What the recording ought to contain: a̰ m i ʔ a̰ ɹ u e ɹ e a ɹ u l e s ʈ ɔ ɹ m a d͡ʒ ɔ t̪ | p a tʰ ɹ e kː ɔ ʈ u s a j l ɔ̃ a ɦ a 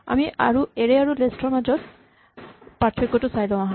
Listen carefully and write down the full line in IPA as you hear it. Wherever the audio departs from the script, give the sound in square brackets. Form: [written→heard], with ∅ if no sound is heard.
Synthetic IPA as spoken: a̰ m i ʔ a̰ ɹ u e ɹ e a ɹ u l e s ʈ ɔ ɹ m a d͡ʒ ɔ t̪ | p a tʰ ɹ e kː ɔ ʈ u s a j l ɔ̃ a ɦ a